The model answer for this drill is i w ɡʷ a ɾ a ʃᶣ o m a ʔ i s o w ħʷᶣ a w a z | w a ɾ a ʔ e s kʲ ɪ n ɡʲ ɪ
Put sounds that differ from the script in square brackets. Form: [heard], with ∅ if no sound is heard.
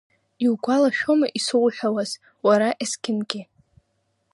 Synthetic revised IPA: i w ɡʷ a [l] a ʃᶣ o m a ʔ i s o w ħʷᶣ a w a z | w a ɾ a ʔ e s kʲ ɪ n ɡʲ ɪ